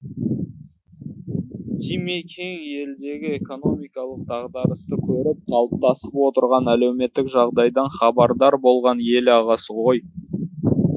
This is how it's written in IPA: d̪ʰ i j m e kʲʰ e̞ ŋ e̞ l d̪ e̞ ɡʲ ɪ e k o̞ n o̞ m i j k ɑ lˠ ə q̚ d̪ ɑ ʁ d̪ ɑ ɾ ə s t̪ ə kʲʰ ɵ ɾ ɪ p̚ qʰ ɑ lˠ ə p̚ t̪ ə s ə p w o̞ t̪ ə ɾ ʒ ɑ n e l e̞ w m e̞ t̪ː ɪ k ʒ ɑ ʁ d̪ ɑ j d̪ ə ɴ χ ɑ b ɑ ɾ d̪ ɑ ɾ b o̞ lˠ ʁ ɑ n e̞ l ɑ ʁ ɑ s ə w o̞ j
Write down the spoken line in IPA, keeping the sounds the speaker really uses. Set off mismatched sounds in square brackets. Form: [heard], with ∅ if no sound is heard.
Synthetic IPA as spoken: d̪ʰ i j m e kʲʰ e̞ ŋ e̞ l d̪ e̞ ɡʲ ɪ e k o̞ n o̞ m i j k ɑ lˠ ə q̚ d̪ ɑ ʁ d̪ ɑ ɾ ə s t̪ ə kʲʰ ɵ ɾ ɪ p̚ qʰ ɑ lˠ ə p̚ t̪ [ɑ] s ə p w o̞ t̪ ə ɾ [ʁ] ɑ n [æ] l e̞ w m e̞ t̪ː ɪ k ʒ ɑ ʁ d̪ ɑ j d̪ [ɑ] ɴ χ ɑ b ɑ ɾ d̪ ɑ ɾ b o̞ lˠ ʁ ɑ n e̞ l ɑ ʁ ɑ s ə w o̞ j